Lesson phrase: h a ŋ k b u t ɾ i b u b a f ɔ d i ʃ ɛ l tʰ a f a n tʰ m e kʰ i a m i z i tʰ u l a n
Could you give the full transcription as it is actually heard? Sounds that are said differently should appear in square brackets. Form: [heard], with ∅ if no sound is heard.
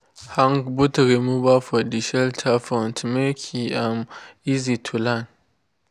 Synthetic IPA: h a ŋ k b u t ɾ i [m] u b a f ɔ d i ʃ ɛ l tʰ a f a n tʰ m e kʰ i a m i z i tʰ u l a n